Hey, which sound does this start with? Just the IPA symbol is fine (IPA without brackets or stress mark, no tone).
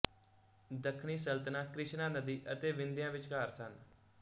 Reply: d̪